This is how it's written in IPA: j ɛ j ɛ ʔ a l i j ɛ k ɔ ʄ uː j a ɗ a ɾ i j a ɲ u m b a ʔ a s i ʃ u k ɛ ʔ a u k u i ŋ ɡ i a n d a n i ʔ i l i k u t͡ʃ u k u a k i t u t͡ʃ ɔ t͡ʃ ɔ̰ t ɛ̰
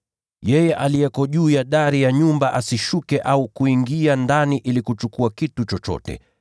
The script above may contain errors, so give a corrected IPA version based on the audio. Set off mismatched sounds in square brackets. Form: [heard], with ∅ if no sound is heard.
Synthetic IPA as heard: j ɛ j ɛ ʔ a l i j ɛ k ɔ ʄ uː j a ɗ a ɾ i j a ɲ u m b a ʔ a s i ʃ u k ɛ ʔ a u k u i ŋ ɡ i a n d a n i ʔ i l i k u t͡ʃ u k u a k i t u t͡ʃ ɔ t͡ʃ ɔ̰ t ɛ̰

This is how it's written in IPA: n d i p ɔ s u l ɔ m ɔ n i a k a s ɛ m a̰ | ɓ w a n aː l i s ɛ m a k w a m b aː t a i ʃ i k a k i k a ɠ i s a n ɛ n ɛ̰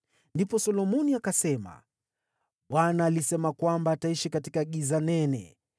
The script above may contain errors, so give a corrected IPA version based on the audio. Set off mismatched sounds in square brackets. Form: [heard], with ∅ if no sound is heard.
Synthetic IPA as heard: n d i p ɔ s [ɔ] l ɔ m ɔ n i a k a s ɛ m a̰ | ɓ w a n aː l i s ɛ m a k w a m b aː t a i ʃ i k a [t] i k a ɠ i [z] a n ɛ n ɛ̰

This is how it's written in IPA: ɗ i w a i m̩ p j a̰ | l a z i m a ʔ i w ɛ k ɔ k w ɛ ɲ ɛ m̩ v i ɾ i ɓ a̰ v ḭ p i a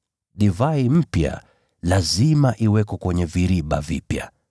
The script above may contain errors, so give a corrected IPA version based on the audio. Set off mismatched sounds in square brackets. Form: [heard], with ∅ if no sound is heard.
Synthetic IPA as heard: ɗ i [v] a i m̩ p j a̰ | l a z i m a ʔ i w ɛ k ɔ k w ɛ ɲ ɛ [∅] v i ɾ i ɓ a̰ v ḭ p [j] a

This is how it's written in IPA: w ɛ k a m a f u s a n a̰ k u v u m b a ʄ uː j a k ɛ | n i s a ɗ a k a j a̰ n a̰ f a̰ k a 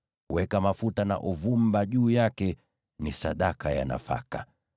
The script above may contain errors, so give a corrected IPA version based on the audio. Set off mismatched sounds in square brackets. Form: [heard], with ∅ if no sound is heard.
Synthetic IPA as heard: w ɛ k a m a f u [t] a n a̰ [ʔ] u v u m b a ʄ uː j a k ɛ | n i s a ɗ a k a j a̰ n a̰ f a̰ k a

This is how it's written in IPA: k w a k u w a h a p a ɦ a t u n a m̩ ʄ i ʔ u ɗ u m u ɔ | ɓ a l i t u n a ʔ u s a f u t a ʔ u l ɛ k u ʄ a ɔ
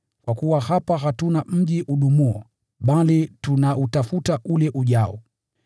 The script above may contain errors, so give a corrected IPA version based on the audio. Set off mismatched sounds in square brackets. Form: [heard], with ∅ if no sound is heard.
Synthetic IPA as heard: k w a k u w a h a p a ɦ a t u n a m̩ ʄ i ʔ u ɗ u m u ɔ | ɓ a l i t u n a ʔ u [t] a f u t a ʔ u l ɛ [ʔ] u ʄ a ɔ

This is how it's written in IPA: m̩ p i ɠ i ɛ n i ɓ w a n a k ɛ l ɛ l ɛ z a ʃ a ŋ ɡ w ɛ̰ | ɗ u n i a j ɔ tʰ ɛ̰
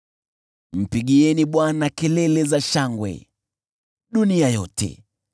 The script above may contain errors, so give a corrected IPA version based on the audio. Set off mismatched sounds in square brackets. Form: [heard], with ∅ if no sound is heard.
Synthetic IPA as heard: m̩ p i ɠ i ɛ n i ɓ w a n a k ɛ l ɛ l ɛ z a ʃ a ŋ ɡ w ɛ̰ | ɗ u n i a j ɔ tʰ ɛ̰

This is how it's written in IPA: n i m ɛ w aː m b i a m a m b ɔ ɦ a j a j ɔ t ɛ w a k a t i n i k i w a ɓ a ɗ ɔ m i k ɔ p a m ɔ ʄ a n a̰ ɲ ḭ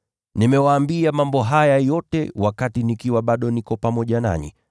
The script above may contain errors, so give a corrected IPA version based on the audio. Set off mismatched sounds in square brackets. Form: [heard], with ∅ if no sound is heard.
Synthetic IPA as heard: n i m ɛ w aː m b i a m a m b ɔ ɦ a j a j ɔ t ɛ w a k a t i n i k i w a ɓ a ɗ ɔ [n] i k ɔ p a m ɔ ʄ a n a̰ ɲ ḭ

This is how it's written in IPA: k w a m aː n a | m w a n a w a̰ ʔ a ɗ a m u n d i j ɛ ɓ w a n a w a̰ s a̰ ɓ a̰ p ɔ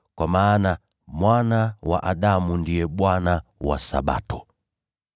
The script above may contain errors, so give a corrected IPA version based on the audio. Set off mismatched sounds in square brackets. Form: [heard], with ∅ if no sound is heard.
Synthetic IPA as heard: k w a m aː n a | m w a n a w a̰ ʔ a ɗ a m u n d i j ɛ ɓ w a n a w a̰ s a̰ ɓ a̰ [t] ɔ

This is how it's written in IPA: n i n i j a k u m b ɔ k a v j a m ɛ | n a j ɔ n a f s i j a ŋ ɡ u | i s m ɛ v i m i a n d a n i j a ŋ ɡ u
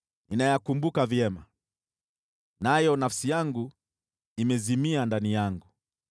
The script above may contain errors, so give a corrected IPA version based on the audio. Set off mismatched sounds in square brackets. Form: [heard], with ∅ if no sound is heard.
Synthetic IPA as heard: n i n [a] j a k u m b [u] k a v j [ɛ] m [a] | n a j ɔ n a f s i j a ŋ ɡ u | i [∅] m ɛ [z] i m i a n d a n i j a ŋ ɡ u

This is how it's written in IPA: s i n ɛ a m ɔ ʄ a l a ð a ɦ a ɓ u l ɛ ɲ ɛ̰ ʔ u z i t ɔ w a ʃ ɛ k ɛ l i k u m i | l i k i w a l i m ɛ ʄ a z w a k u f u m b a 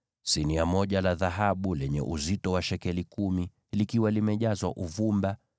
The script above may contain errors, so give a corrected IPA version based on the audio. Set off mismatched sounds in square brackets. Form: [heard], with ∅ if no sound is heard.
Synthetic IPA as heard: s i n [i] a m ɔ ʄ a l a ð a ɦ a ɓ u l ɛ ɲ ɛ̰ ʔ u z i t ɔ w a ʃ ɛ k ɛ l i k u m i | l i k i w a l i m ɛ ʄ a z w a [ʔ] u [v] u m b a

